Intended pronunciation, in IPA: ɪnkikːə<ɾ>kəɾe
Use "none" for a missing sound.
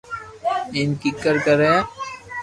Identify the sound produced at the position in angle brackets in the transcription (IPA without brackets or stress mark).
ɾ